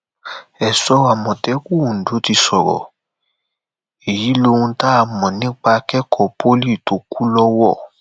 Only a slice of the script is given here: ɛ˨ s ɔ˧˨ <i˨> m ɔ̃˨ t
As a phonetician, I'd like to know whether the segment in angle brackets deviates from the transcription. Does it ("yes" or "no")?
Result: yes